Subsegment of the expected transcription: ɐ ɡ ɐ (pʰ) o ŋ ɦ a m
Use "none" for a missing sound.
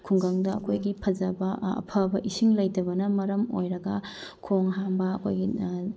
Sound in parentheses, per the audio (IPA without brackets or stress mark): kʰ